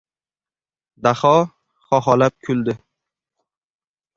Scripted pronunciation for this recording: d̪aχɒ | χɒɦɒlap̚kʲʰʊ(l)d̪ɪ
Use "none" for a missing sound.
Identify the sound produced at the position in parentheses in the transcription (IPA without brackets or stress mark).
l